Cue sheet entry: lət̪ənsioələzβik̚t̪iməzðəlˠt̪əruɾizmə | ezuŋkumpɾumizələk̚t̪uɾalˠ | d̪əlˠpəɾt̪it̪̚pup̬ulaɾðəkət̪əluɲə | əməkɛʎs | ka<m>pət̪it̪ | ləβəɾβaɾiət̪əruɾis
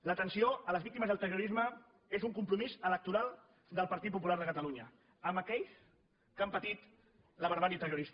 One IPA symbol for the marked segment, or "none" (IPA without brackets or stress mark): m